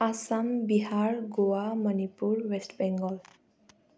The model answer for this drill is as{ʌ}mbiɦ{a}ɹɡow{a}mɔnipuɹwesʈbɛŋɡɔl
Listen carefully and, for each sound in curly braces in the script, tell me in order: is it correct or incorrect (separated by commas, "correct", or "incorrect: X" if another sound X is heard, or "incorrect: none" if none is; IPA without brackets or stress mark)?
incorrect: a, correct, correct